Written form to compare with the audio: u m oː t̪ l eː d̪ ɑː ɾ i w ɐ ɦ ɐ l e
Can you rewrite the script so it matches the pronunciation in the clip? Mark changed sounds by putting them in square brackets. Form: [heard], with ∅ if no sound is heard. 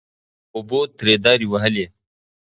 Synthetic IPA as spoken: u [b] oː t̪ [ɾ] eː d̪ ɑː ɾ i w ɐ ɦ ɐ l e